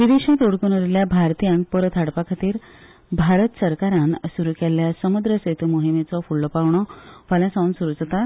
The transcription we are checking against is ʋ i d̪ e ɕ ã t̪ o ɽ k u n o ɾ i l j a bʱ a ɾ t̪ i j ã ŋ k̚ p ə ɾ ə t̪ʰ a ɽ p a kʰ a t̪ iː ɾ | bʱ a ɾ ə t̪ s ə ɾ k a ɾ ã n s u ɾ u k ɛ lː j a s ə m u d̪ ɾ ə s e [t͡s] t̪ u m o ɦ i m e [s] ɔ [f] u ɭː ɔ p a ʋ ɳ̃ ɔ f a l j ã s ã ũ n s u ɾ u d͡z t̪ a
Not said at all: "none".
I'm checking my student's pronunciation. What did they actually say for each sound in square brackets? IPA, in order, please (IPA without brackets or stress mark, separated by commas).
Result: none, t͡s, f